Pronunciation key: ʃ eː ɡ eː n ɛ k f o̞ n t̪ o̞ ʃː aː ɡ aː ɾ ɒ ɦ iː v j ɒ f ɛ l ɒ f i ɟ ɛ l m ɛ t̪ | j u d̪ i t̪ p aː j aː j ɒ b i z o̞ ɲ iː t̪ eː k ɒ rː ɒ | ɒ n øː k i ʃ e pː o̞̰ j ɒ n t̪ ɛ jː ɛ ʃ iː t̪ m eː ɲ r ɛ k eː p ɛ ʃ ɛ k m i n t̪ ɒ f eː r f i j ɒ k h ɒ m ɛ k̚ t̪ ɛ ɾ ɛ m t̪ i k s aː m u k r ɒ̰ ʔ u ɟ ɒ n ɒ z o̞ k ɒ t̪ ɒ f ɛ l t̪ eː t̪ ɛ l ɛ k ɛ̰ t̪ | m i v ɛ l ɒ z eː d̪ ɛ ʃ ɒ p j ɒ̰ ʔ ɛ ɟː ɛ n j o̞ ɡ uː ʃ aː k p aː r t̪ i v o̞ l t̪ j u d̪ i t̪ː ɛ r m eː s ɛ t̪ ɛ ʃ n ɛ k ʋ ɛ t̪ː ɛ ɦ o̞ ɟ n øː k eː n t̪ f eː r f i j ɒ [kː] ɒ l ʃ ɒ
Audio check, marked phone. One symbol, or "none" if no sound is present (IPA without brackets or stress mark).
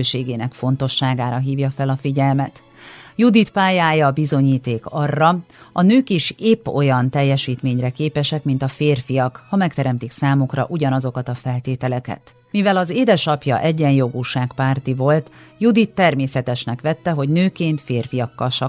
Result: kː